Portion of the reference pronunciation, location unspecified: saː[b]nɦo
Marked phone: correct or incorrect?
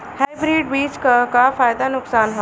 incorrect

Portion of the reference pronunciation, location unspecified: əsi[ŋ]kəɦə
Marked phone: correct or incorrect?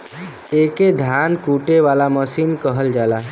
incorrect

